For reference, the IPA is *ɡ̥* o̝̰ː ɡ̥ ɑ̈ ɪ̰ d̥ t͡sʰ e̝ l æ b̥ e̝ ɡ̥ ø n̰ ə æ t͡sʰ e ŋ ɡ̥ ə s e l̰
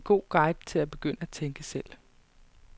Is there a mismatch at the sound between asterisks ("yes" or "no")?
no